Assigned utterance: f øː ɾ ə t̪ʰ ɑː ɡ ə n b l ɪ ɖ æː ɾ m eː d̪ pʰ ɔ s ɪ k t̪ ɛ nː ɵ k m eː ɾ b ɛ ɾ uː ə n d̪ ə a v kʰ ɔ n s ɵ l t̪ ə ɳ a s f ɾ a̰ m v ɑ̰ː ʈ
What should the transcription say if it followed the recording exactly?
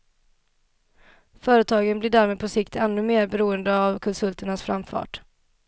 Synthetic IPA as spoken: f œː ɾ ə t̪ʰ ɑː ɡ ə n b l ɪ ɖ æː ɾ m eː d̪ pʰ ɔ s ɪ k t̪ ɛ nː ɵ m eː ɾ b ɛ ɾ uː ə n d̪ ə a v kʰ ɔ n s ɵ l t̪ ə ɳ a s f ɾ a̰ m f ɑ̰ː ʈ